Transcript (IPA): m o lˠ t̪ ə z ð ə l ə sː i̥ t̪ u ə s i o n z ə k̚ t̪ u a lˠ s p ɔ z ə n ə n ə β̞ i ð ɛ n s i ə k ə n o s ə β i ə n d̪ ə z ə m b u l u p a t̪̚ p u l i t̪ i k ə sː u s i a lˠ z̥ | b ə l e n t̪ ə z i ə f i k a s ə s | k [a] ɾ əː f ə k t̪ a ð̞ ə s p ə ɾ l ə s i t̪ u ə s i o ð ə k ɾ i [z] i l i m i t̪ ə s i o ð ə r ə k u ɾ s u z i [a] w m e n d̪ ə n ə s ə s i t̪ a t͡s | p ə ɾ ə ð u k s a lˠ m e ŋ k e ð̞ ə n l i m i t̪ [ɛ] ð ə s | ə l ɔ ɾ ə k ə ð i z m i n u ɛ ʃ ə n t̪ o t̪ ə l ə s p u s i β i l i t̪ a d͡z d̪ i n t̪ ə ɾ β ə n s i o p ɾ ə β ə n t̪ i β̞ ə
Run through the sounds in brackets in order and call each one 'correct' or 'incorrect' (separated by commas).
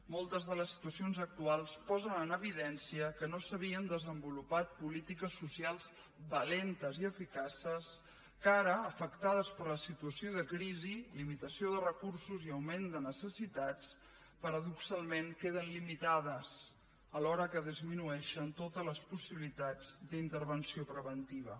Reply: correct, correct, incorrect, incorrect